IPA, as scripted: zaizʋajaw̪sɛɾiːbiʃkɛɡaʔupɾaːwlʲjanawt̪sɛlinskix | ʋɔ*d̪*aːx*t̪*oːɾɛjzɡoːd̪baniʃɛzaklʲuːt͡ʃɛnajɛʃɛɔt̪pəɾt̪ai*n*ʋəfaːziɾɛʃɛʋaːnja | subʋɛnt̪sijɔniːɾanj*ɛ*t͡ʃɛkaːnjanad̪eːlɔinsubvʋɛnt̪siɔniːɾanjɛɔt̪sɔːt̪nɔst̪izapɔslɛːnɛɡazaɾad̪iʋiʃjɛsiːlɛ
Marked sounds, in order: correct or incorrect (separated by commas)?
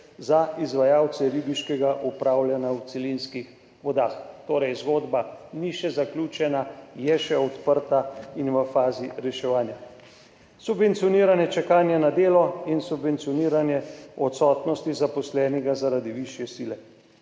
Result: correct, correct, correct, correct